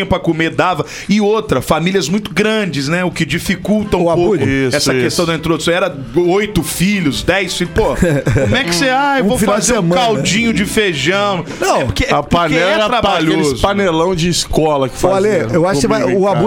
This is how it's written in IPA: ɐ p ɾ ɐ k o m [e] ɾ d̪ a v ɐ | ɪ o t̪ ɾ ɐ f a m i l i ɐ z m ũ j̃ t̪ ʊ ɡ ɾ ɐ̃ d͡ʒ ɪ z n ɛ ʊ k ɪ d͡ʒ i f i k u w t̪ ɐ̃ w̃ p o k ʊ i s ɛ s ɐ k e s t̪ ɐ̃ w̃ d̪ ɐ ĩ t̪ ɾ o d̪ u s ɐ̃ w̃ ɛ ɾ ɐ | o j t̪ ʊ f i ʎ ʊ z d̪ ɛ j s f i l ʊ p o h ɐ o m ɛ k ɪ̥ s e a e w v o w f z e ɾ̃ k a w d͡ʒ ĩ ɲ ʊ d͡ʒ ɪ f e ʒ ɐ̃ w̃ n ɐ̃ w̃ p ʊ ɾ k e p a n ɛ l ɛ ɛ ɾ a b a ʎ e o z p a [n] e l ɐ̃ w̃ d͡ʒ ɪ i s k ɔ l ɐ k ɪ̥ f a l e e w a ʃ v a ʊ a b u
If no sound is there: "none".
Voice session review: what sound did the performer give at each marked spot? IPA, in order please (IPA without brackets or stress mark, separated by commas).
e, n